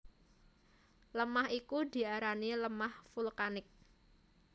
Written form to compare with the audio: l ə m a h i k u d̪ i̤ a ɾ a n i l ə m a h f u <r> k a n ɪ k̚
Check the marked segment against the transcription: incorrect: l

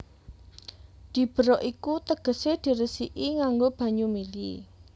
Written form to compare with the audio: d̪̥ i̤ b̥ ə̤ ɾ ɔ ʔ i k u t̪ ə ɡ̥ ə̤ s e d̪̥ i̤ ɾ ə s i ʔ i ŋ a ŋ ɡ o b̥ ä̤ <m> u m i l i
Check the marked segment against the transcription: incorrect: ɲ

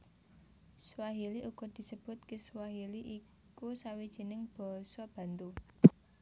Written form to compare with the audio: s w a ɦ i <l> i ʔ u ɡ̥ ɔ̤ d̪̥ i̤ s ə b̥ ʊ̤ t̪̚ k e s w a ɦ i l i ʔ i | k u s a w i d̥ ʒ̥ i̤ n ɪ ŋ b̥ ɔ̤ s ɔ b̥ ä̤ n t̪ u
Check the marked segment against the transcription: correct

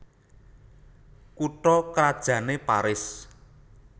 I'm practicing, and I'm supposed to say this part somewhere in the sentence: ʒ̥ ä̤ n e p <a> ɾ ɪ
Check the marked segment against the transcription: correct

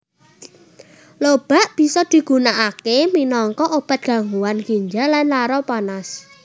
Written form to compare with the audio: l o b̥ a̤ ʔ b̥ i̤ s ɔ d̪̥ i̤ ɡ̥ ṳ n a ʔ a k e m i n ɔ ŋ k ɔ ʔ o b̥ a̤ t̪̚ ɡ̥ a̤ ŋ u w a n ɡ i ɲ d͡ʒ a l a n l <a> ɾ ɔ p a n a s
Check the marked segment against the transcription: correct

